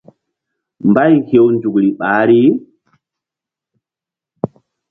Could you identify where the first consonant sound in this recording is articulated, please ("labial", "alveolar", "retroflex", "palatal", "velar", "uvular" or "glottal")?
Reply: labial